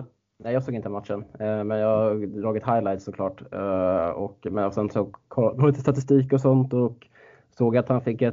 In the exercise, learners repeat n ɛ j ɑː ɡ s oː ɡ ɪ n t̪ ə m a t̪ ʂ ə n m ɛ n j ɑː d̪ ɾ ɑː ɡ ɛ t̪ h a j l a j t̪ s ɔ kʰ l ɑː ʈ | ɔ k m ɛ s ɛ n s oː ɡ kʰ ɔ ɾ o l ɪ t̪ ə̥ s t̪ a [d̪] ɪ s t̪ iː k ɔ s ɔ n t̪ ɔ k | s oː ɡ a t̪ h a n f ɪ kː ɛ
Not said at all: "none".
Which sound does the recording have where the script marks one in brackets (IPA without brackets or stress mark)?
t̪